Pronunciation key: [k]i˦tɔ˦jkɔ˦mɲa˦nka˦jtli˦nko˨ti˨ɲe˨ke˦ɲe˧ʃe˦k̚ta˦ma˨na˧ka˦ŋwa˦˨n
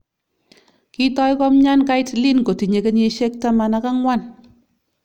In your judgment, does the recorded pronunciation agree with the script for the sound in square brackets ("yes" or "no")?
yes